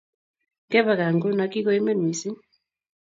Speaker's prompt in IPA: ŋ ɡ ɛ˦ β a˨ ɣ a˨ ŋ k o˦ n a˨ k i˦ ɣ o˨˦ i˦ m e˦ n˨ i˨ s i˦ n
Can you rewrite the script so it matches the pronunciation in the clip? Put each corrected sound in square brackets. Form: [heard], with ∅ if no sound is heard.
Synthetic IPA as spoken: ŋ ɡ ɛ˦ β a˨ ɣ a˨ ŋ [ɡ] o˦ n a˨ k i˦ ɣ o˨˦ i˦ m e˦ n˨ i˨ s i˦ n